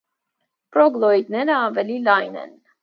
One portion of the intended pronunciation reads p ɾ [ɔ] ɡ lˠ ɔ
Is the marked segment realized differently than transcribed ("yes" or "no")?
no